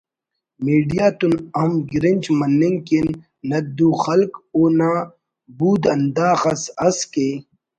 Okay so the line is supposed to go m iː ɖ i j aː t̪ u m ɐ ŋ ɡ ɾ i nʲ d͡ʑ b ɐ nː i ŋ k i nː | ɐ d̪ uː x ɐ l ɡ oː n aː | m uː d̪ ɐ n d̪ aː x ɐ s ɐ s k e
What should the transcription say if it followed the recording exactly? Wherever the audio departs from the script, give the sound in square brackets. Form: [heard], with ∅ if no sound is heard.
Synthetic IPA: m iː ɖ i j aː t̪ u [n] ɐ [m] ɡ ɾ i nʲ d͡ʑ [m] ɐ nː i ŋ k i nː | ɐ d̪ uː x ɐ l [k] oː n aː | [b] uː d̪ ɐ n d̪ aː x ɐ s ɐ s k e